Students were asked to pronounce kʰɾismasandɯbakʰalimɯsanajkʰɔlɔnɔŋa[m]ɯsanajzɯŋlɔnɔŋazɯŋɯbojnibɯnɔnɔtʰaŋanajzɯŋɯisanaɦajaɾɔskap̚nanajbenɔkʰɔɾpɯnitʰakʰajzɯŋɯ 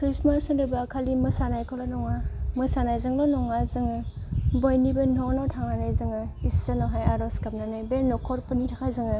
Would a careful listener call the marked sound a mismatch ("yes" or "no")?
no